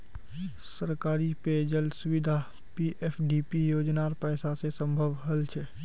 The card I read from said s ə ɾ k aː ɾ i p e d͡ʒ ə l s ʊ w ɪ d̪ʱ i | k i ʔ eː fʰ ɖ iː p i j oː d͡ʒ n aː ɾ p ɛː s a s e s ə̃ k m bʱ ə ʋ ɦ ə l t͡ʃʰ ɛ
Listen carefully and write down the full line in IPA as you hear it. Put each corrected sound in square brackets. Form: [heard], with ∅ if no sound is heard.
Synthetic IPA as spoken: s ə ɾ k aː ɾ i p e d͡ʒ ə l s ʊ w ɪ d̪ʱ [a] | [p] i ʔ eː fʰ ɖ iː p i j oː d͡ʒ n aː ɾ p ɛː s a s e s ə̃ [∅] m bʱ ə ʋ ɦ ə l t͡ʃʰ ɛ